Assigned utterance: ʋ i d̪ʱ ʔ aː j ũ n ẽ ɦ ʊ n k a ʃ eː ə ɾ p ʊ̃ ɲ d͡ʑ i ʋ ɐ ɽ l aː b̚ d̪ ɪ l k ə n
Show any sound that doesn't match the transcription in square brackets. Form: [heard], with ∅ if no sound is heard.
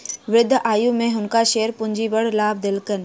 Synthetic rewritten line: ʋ [ɪ] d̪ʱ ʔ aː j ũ [m] ẽ ɦ ʊ n k a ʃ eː ə ɾ p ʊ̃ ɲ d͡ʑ i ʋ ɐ ɽ l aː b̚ d̪ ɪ l k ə n